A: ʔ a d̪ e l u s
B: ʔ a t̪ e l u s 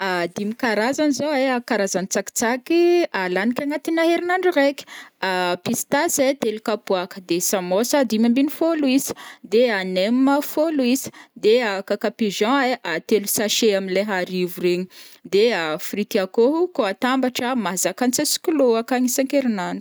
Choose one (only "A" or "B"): B